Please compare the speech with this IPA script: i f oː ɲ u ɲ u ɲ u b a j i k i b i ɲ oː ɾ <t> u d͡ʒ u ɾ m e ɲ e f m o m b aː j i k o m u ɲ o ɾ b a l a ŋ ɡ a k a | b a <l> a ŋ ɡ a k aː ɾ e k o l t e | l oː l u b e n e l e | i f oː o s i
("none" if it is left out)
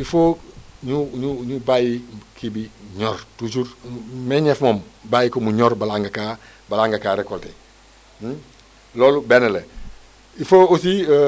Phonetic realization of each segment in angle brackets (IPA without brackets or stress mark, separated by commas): t, l